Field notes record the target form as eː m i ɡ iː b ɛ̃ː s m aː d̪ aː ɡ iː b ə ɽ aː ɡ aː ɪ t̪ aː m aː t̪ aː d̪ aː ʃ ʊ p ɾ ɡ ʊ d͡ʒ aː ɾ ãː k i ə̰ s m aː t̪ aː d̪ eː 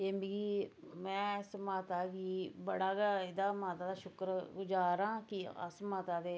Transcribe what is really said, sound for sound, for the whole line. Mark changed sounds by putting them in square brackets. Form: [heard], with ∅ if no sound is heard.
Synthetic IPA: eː m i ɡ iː [m] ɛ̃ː s m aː [t̪] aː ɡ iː b ə ɽ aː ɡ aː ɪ [d̪] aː m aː t̪ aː d̪ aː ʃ ʊ [k] ɾ ɡ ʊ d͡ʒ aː ɾ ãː k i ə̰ s m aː t̪ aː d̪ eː